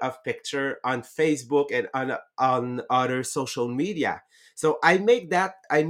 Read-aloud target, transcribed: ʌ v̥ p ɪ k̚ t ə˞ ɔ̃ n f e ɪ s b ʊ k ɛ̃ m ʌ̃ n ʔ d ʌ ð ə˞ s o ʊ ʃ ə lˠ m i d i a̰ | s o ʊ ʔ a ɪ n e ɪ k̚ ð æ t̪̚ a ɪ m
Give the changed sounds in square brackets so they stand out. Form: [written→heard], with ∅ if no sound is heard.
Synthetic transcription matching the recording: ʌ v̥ p ɪ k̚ [t→t͡ʃ] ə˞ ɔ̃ n f e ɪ s b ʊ k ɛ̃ [m→n] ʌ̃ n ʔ [d→n] ʌ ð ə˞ s o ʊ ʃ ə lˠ m i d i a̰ | s o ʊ ʔ a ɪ [n→m] e ɪ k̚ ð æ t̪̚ a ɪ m